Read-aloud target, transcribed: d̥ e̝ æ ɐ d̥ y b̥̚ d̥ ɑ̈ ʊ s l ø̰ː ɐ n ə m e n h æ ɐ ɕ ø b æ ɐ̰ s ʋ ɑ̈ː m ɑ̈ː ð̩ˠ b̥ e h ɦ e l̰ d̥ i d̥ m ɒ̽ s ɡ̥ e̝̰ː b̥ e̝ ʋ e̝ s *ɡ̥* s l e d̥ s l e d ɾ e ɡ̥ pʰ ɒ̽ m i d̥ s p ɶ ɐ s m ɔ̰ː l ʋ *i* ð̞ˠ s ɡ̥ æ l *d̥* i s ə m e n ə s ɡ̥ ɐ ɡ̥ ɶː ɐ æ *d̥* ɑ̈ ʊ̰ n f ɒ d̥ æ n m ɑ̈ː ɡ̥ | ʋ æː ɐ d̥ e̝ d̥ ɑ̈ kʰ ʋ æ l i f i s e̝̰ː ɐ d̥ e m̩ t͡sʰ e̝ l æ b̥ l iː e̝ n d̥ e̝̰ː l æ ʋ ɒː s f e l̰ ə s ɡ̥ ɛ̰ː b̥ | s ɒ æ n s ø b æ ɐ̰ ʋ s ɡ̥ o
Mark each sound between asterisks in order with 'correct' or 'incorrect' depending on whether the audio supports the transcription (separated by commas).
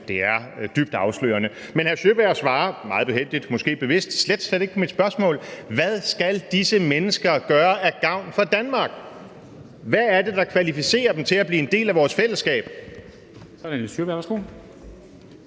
incorrect, incorrect, correct, incorrect